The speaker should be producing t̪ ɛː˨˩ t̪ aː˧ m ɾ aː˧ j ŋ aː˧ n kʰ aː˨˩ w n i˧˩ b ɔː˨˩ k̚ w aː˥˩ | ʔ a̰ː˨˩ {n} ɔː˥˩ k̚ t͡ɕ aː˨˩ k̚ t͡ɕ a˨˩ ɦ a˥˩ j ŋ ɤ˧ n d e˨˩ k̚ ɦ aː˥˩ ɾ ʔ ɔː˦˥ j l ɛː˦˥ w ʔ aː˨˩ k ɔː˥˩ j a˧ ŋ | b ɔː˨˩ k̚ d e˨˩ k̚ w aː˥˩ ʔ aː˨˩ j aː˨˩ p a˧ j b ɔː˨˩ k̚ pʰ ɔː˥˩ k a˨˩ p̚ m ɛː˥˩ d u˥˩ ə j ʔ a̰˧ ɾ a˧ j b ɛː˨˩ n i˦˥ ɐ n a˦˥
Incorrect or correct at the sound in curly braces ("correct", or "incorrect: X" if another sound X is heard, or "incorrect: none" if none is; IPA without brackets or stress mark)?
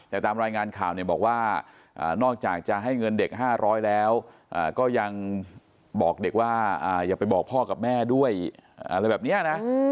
correct